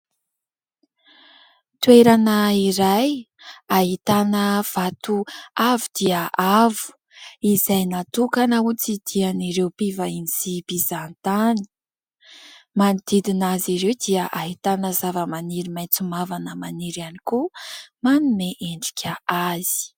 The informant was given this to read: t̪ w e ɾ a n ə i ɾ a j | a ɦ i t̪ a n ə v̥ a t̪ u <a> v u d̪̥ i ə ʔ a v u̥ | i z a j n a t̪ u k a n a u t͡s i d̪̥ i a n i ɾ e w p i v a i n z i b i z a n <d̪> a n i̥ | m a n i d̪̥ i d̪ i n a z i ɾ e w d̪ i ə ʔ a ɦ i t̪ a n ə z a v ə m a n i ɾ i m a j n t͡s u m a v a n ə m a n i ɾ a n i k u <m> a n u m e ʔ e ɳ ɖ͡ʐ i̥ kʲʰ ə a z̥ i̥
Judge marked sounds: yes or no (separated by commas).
yes, no, yes